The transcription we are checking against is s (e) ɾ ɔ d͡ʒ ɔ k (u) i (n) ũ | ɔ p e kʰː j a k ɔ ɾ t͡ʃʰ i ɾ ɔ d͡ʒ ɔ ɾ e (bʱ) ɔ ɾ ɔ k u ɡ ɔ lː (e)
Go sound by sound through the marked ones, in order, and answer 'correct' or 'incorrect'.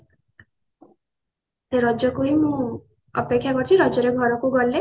correct, correct, incorrect, incorrect, correct

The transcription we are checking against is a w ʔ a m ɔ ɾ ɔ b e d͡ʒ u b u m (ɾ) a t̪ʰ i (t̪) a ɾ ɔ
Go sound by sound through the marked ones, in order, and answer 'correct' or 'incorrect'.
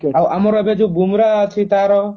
correct, correct

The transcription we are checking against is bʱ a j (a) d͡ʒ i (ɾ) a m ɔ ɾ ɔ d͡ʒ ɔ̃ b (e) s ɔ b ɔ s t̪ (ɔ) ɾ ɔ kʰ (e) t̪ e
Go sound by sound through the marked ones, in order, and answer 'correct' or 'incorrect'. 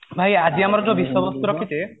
correct, incorrect, incorrect, incorrect, incorrect

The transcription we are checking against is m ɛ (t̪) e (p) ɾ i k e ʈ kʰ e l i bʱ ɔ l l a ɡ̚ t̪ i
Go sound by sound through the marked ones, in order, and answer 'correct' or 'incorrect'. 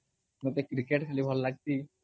correct, incorrect

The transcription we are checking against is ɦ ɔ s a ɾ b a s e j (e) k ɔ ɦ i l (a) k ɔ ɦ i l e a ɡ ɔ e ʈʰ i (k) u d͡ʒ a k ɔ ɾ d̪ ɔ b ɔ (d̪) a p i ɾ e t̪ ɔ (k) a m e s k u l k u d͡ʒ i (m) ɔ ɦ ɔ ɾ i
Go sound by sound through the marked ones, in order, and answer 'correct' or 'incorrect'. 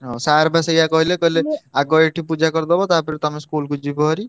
incorrect, incorrect, incorrect, incorrect, incorrect, incorrect

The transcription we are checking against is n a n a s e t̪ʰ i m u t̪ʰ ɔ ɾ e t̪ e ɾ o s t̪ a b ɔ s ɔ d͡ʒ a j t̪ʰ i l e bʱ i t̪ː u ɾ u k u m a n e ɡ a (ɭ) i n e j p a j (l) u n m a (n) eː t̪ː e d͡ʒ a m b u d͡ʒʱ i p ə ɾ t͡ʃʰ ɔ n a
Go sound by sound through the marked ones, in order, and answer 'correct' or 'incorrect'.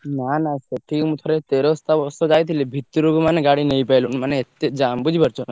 incorrect, correct, correct

